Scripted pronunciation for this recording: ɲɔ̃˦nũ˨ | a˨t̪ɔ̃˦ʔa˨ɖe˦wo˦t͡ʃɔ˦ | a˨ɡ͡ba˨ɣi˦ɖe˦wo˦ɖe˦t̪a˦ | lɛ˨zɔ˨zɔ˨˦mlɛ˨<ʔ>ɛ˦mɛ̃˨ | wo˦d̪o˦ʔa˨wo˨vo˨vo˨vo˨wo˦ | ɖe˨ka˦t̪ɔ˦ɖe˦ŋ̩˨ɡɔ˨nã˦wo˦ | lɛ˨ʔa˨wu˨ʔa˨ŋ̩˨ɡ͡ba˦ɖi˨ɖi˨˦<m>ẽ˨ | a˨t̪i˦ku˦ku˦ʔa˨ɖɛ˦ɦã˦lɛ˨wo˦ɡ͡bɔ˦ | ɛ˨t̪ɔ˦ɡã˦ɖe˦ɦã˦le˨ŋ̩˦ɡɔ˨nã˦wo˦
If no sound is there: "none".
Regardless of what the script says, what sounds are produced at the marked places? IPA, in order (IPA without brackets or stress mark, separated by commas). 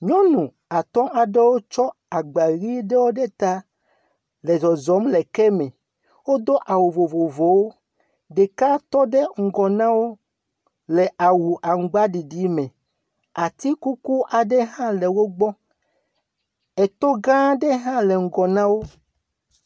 k, m